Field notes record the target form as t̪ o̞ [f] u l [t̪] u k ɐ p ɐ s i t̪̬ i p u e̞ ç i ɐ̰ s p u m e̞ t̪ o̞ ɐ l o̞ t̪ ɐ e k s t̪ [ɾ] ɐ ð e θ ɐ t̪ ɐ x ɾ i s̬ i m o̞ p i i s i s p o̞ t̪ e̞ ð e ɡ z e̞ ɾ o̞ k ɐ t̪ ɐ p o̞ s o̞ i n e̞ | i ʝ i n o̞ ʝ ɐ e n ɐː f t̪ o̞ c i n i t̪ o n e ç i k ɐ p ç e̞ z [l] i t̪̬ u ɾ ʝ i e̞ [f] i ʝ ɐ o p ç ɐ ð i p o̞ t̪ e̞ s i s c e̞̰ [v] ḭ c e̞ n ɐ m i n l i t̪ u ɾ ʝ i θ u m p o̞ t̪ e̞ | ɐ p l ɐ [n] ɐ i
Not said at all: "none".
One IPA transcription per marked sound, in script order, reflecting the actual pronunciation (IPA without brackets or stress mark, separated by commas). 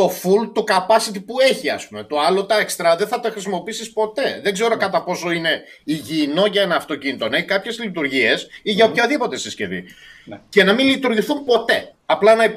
f, t̪, ɾ, l, s, v, n